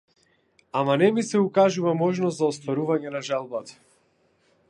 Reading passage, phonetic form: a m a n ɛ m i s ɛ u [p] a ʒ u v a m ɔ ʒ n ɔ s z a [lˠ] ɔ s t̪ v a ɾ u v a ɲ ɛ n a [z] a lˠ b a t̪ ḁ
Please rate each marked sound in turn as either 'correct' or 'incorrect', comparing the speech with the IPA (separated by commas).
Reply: incorrect, incorrect, incorrect